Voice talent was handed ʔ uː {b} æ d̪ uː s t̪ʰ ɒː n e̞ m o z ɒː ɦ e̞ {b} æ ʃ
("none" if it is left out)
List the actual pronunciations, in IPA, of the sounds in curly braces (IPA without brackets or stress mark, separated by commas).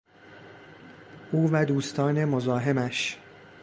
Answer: v, m